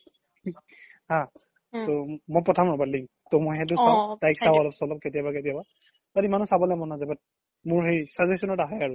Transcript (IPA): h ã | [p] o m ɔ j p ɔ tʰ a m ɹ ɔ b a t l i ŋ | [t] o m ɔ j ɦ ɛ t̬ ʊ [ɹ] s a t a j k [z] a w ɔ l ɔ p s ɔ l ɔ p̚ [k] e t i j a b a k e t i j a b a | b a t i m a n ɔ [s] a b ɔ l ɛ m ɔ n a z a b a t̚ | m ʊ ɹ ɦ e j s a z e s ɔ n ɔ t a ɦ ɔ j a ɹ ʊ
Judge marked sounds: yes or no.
no, yes, no, no, yes, yes

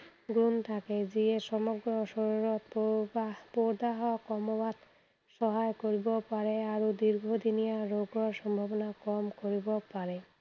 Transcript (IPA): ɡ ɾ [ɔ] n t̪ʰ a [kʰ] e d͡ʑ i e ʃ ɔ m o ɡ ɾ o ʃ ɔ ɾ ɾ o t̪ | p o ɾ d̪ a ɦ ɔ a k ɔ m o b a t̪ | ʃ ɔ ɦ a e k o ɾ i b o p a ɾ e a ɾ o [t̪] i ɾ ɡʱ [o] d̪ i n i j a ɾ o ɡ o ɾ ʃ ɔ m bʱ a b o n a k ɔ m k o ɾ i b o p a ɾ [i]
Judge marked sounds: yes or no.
no, no, no, yes, no

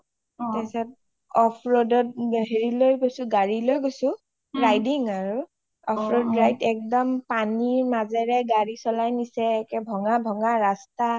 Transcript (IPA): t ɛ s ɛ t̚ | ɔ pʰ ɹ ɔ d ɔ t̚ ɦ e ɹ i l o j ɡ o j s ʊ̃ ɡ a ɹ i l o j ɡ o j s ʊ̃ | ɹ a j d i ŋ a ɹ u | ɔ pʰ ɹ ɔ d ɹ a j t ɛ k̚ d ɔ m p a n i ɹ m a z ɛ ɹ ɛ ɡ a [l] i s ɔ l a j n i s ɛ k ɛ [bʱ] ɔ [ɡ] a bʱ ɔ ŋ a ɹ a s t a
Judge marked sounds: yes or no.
no, yes, no

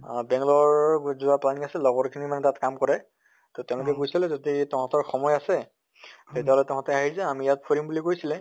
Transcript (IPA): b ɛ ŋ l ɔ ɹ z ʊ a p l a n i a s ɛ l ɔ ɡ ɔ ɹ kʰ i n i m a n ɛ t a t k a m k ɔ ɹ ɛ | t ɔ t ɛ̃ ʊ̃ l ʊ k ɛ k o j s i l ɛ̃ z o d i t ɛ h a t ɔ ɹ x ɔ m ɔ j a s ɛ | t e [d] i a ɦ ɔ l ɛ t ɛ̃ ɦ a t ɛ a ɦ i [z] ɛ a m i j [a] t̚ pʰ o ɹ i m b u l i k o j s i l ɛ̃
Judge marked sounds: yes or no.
no, yes, yes

